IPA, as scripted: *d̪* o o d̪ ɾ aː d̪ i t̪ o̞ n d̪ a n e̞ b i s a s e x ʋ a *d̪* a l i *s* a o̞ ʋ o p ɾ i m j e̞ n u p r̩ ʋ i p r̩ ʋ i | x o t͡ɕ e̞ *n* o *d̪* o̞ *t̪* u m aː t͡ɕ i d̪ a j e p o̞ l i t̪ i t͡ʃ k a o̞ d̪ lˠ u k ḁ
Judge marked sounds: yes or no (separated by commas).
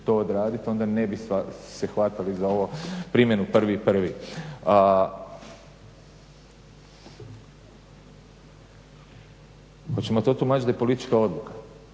no, no, no, no, no, yes